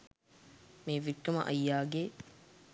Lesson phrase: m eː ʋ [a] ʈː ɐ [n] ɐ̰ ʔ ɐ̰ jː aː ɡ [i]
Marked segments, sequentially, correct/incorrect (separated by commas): incorrect, incorrect, incorrect